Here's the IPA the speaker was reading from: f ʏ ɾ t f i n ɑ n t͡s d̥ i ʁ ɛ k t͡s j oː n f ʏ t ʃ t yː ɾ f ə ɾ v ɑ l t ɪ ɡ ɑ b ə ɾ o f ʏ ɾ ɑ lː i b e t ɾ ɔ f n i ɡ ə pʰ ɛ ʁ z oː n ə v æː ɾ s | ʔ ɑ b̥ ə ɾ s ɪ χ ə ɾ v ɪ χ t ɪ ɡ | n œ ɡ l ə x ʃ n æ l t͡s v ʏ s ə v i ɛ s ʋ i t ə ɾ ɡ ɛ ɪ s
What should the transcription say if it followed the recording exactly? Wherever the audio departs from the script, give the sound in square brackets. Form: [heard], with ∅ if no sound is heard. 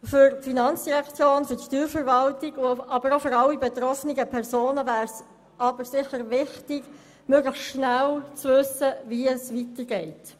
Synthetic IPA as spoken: f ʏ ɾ t f i n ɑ n t͡s d̥ i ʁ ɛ k t͡s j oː n f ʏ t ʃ t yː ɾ f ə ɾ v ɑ l t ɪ ɡ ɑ b ə ɾ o f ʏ ɾ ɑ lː i b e t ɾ ɔ f n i ɡ ə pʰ ɛ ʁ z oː n ə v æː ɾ s | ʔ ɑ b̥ ə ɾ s ɪ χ ə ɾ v ɪ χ t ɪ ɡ | [m] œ ɡ l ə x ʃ n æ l t͡s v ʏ s ə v i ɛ s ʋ i t ə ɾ ɡ ɛ ɪ [t]